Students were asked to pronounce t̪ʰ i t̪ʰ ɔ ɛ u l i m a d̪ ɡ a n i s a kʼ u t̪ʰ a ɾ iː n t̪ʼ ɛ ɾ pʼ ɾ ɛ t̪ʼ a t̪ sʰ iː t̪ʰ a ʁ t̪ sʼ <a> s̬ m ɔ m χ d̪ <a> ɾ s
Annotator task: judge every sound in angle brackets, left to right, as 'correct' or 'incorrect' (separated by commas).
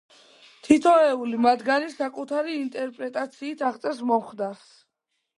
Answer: incorrect, correct